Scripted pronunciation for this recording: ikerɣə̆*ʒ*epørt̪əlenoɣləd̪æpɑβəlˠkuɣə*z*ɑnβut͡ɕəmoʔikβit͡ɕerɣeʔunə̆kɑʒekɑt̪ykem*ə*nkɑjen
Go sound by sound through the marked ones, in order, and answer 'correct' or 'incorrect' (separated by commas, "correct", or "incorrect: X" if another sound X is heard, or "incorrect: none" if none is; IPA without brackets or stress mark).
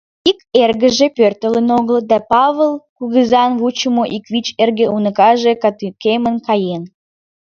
correct, correct, correct